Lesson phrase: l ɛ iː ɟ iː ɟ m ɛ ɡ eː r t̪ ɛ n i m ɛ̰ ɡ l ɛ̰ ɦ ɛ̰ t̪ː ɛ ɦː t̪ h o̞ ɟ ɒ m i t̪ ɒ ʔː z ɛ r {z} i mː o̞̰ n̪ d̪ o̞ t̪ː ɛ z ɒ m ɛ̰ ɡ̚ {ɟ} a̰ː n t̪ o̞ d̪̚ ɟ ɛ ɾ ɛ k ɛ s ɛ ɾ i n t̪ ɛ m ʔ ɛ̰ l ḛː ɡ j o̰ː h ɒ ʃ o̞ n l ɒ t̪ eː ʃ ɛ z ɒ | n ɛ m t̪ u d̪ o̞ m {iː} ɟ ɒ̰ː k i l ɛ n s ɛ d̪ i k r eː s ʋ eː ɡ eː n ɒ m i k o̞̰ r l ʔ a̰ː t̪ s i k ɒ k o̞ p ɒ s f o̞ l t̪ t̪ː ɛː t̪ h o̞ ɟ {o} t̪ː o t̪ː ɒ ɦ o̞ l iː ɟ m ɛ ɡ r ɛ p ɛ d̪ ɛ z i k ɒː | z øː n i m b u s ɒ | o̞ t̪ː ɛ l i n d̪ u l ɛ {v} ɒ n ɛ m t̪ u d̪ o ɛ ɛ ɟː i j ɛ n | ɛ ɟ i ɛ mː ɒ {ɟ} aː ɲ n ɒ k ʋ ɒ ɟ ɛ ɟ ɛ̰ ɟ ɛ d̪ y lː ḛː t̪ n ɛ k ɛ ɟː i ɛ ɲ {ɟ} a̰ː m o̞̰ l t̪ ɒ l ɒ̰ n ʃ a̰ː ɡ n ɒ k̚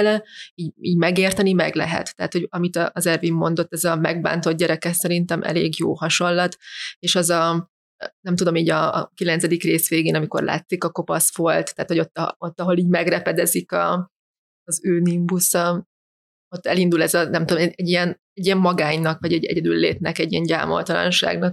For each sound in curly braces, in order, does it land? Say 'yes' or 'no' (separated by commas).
no, no, yes, yes, no, no, yes